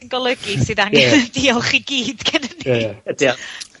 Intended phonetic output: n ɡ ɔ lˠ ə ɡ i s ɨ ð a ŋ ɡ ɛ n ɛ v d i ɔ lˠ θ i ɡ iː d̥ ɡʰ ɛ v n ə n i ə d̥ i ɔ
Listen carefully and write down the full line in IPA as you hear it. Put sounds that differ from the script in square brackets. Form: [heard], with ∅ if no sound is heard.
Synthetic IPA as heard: n ɡ ɔ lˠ ə ɡ i s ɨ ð a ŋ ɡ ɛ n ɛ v d i ɔ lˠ [χ] i ɡ iː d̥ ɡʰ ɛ [∅] n ə n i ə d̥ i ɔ